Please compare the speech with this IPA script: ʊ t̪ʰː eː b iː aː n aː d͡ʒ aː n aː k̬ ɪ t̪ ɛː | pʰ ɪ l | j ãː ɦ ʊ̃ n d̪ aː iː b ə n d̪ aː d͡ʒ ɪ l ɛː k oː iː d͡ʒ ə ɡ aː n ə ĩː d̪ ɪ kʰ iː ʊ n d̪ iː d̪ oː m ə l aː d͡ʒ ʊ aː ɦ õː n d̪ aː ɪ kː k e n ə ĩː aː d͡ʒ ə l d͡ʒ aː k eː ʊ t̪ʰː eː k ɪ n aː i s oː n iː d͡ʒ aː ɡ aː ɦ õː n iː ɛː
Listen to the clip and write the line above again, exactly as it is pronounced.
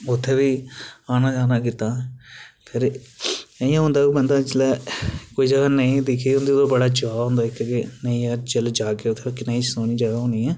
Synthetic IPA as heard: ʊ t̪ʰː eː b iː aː n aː d͡ʒ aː n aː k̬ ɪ t̪ aː | pʰ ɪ ɾ | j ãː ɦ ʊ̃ n d̪ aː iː b ə n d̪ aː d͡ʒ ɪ l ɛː k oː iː d͡ʒ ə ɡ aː n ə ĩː d̪ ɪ kʰ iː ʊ n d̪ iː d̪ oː b ə ɽ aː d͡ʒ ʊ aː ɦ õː n d̪ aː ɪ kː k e n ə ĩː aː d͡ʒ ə l d͡ʒ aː k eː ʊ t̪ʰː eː k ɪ n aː i s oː n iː d͡ʒ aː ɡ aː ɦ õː n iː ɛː

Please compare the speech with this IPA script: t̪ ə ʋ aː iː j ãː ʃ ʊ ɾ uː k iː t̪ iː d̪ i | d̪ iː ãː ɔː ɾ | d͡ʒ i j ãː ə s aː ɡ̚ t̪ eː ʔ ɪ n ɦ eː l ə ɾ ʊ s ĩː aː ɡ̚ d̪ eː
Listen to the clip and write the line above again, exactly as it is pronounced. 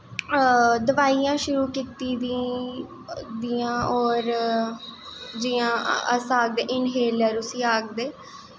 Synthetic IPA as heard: d̪ ə ʋ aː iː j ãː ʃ ʊ ɾ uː k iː t̪ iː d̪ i | d̪ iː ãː ɔː ɾ | d͡ʒ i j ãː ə s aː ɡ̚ d̪ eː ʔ ɪ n ɦ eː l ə ɾ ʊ s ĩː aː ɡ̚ d̪ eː

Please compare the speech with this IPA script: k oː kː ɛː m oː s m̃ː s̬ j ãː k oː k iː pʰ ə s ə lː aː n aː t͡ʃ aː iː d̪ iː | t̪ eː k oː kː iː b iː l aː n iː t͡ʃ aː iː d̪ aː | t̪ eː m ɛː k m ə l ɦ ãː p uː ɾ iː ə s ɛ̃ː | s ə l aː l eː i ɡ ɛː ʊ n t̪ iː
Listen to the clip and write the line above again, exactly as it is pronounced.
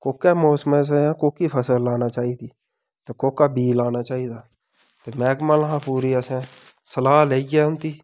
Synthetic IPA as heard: k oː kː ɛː m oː s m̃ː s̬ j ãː k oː k iː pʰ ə s ə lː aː n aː t͡ʃ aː iː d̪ iː | t̪ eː k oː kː aː b iː l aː n aː t͡ʃ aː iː d̪ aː | t̪ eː m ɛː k m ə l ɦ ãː p uː ɾ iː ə s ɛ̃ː | s ə l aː l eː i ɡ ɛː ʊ n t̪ iː

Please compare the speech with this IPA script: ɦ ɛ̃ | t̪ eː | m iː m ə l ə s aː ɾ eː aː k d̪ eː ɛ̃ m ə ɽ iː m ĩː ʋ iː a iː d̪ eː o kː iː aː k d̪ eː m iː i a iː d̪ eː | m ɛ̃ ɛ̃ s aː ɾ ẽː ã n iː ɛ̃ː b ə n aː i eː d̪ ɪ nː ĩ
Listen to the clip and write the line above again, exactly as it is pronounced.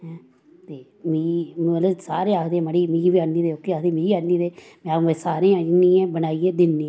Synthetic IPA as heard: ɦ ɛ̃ | t̪ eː | m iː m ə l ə s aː ɾ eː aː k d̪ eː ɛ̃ m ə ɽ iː m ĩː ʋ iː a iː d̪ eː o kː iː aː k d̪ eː m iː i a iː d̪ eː | m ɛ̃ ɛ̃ s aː ɾ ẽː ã n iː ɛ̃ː b ə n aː i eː d̪ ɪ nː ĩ

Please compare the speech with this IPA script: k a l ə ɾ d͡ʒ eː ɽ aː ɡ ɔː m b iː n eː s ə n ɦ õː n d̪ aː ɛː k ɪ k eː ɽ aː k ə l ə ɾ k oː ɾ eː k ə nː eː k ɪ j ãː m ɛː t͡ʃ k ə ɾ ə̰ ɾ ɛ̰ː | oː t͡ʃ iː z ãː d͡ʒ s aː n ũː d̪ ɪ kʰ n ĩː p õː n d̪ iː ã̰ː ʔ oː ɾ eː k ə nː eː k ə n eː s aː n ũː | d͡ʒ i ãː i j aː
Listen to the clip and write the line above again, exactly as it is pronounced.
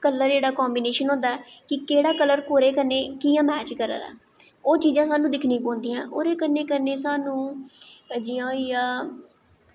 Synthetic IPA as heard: k ə l ə ɾ d͡ʒ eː ɽ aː k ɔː m b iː n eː ʃ ə n ɦ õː n d̪ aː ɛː k ɪ k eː ɽ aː k ə l ə ɾ k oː ɾ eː k ə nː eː k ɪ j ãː m ɛː t͡ʃ k ə ɾ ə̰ ɾ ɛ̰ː | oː t͡ʃ iː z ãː s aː n ũː d̪ ɪ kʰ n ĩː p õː n d̪ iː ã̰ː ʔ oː ɾ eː k ə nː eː k ə n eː s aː n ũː | d͡ʒ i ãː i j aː

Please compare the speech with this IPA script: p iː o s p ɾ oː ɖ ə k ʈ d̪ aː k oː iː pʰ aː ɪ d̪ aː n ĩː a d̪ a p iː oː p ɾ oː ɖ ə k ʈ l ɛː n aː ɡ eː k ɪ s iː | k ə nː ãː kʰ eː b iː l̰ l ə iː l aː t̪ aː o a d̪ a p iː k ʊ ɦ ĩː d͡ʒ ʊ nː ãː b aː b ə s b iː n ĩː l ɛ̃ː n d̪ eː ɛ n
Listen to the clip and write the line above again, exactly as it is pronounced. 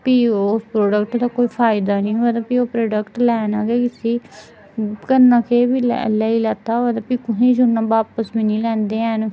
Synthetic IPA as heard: p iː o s p ɾ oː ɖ ə k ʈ d̪ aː k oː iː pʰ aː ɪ d̪ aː n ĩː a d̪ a p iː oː p ɾ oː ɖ ə k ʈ l ɛː n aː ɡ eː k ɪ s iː | k ə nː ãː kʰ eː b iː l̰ l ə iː l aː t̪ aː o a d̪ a p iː k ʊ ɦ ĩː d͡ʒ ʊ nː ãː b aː p ə s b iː n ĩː l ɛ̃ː n d̪ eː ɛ n

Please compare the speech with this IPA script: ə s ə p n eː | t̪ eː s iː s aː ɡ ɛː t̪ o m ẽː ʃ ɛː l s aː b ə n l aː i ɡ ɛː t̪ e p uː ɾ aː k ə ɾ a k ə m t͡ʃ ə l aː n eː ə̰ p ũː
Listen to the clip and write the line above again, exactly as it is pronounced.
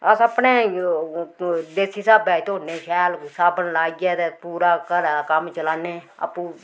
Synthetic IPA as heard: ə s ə p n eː | d̪ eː s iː s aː b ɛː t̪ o n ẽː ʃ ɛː l s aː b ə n l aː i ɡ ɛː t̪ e p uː ɾ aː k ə ɾ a k ə m t͡ʃ ə l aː n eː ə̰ p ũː

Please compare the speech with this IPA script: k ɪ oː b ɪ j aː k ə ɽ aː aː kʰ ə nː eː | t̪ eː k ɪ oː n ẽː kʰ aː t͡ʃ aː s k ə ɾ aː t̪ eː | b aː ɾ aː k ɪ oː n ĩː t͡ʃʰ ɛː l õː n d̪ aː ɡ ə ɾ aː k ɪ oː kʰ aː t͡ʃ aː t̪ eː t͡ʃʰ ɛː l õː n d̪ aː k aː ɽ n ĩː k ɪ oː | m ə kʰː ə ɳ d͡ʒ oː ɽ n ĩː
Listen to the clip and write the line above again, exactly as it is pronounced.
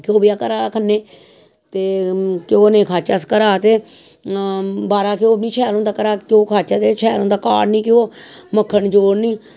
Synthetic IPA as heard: k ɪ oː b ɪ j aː k ə ɾ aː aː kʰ ə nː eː | t̪ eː k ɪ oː n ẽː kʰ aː t͡ʃ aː s k ə ɾ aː t̪ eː | b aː ɾ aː k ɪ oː n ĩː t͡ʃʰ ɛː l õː n d̪ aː k ə ɾ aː k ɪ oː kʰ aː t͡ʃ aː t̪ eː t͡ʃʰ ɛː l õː n d̪ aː k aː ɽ n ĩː k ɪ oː | m ə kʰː ə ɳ d͡ʒ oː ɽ n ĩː

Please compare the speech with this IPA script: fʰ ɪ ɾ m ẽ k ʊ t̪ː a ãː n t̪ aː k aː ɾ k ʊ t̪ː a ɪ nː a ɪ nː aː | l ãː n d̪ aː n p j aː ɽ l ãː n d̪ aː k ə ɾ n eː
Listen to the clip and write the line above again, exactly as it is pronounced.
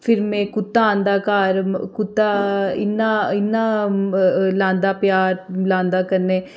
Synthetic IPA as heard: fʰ ɪ ɾ m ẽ k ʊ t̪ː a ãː n d̪ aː k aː ɾ k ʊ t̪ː a ɪ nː a ɪ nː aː | l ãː n d̪ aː p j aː ɾ l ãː n d̪ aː k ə ɾ n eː

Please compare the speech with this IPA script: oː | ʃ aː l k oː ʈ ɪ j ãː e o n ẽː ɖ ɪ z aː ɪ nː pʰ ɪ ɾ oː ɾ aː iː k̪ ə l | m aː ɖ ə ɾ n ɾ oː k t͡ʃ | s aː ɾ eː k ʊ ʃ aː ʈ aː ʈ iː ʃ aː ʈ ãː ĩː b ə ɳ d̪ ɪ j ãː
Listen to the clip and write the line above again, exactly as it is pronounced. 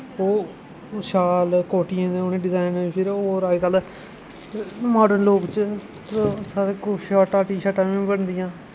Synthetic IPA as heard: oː | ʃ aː l k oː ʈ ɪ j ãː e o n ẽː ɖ ɪ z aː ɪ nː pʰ ɪ ɾ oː ɾ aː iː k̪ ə l | m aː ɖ ə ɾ n l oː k t͡ʃ | s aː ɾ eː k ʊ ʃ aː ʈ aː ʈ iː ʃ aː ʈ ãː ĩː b ə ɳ d̪ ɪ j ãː

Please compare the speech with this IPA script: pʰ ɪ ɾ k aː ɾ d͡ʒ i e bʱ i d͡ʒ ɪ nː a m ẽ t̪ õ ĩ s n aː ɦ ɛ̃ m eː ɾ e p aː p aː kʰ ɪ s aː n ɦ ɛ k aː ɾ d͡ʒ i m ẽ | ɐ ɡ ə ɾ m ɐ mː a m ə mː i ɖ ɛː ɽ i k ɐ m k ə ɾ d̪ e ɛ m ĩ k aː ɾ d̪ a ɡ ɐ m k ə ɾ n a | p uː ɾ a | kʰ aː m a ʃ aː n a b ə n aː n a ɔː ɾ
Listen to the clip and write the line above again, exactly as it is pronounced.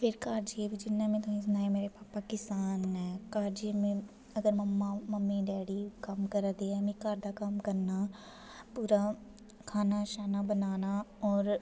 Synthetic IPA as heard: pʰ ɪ ɾ k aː ɾ d͡ʒ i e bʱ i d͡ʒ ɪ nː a m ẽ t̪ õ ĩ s n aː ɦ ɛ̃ m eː ɾ e p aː p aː k ɪ s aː n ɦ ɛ k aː ɾ d͡ʒ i m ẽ | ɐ ɡ ə ɾ m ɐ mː a m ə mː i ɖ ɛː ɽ i k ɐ m k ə ɾ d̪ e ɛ m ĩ k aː ɾ d̪ a k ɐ m k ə ɾ n a | p uː ɾ a | kʰ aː n a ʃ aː n a b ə n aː n a ɔː ɾ

